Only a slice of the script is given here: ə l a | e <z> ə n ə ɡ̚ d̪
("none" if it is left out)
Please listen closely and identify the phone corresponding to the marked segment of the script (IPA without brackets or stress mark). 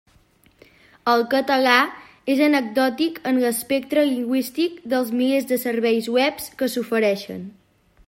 z